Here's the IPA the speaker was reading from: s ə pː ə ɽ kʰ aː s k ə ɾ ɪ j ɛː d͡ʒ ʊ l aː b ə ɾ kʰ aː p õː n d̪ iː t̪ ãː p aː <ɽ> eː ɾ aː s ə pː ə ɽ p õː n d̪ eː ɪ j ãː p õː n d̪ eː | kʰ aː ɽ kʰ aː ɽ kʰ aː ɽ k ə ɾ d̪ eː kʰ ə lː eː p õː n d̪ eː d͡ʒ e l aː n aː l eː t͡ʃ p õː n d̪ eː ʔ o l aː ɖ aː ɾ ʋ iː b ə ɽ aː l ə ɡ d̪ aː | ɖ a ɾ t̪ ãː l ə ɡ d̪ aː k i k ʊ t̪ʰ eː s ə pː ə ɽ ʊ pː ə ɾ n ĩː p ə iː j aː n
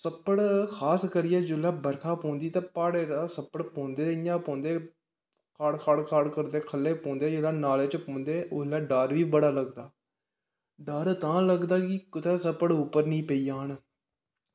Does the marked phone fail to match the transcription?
no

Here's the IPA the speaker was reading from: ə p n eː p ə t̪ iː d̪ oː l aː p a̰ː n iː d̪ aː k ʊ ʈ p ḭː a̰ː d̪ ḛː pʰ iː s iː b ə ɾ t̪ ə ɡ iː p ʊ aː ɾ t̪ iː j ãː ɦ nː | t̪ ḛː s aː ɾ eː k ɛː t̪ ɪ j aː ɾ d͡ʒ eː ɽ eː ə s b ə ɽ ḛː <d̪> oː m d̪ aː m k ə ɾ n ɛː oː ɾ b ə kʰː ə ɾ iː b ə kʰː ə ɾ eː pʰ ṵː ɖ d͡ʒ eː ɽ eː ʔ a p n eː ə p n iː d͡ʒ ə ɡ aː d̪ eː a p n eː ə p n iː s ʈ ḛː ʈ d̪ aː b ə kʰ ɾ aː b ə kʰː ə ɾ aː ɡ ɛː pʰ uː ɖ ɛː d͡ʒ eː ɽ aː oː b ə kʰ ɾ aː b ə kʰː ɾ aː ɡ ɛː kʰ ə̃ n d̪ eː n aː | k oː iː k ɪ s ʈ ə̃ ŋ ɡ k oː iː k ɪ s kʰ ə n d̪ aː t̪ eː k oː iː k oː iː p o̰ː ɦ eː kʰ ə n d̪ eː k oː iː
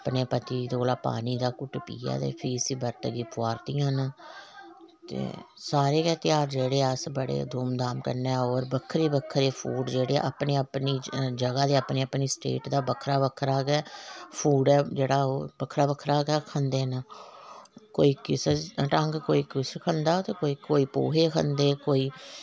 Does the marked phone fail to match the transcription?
no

